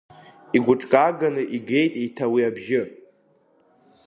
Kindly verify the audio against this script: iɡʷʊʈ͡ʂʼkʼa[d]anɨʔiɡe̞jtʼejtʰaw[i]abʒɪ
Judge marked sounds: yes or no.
no, yes

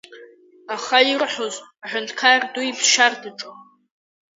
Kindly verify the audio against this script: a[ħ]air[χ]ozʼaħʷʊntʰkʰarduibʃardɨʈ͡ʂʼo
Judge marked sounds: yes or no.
no, no

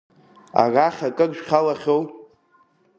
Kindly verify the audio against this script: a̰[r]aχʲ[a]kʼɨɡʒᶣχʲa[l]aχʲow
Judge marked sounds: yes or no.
yes, yes, yes

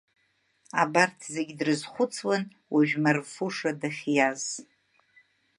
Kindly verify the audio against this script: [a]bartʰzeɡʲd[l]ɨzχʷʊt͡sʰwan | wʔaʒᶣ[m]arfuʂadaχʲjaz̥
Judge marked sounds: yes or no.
yes, no, yes

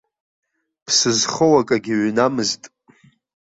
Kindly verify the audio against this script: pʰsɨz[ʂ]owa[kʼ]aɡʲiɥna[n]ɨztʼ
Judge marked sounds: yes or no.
no, yes, no

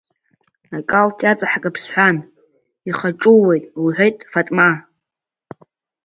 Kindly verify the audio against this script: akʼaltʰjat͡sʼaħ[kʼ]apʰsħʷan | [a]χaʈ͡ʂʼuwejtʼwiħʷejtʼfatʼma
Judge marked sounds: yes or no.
yes, no

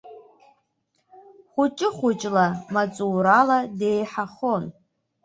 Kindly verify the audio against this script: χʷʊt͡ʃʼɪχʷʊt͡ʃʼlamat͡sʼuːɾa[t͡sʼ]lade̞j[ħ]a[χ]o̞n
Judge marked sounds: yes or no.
no, yes, yes

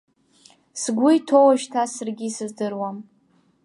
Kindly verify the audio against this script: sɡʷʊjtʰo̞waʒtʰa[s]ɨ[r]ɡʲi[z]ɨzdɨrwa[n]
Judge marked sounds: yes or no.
yes, yes, no, no

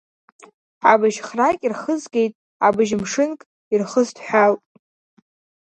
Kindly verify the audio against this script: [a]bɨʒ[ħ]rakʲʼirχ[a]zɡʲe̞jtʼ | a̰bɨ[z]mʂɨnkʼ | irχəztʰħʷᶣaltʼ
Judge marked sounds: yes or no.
yes, no, no, no

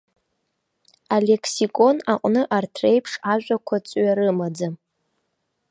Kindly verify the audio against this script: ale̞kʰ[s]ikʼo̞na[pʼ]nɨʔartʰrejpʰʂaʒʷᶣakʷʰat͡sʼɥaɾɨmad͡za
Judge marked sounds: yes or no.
yes, no

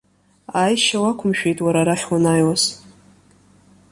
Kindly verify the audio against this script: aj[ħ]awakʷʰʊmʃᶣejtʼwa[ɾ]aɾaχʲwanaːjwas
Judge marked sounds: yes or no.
no, yes

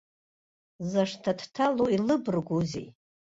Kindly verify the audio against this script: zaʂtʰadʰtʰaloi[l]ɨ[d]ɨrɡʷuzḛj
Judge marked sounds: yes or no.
yes, no

